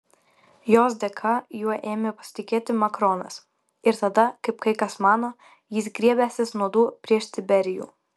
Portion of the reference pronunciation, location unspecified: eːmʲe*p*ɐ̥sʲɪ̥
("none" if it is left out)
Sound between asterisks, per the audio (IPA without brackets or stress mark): p